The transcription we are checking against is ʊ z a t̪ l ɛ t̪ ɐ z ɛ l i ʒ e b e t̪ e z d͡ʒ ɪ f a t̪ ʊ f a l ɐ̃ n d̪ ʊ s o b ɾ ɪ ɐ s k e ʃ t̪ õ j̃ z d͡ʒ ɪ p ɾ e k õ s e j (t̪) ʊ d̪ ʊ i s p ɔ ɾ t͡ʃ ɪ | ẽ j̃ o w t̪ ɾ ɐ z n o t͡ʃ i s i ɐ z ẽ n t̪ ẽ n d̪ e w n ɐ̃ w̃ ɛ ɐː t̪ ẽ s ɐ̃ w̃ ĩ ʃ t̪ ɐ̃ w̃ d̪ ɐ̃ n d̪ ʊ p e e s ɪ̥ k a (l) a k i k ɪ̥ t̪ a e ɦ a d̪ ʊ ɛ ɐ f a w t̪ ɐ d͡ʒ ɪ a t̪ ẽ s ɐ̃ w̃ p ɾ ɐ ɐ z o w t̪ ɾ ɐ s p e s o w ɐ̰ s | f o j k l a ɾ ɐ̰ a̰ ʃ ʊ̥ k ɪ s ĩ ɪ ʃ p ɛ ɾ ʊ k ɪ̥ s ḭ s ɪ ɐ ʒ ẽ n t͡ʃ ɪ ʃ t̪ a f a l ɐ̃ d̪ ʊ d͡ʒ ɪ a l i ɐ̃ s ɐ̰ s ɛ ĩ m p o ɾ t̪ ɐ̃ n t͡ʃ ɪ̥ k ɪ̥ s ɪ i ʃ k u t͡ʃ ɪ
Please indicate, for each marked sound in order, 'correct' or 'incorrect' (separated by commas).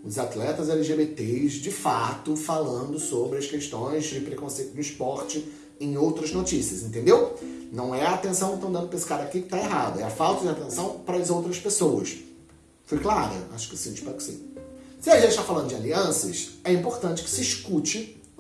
correct, incorrect